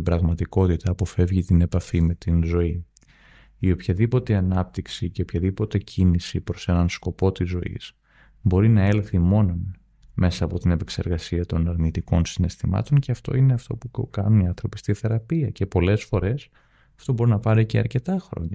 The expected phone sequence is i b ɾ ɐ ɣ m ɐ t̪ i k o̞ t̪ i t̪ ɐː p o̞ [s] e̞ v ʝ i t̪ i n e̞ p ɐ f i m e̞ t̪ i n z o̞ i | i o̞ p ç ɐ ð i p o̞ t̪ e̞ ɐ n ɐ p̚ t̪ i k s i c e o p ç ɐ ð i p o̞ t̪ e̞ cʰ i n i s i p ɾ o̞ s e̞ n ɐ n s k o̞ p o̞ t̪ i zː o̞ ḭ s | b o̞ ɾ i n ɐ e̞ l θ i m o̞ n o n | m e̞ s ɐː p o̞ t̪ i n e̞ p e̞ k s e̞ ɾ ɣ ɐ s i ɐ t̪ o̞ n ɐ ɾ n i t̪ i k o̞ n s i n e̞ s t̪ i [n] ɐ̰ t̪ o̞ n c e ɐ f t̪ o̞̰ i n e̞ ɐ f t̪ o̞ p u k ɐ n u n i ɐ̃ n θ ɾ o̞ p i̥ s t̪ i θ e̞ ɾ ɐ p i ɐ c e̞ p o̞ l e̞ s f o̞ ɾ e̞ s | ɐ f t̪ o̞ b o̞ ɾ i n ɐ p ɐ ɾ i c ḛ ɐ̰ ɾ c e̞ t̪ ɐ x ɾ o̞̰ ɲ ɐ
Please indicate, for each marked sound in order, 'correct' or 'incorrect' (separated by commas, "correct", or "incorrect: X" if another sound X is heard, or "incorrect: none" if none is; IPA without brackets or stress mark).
incorrect: f, incorrect: m